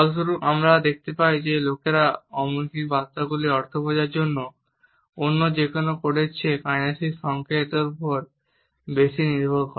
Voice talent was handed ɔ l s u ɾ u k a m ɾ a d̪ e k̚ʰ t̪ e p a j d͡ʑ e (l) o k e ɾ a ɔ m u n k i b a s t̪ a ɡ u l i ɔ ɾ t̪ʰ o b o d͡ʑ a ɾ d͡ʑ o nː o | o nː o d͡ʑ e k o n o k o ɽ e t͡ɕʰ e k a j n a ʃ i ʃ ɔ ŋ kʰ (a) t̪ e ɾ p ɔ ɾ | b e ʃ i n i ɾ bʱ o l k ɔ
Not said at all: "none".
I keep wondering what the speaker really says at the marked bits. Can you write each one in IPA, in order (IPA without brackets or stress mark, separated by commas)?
l, e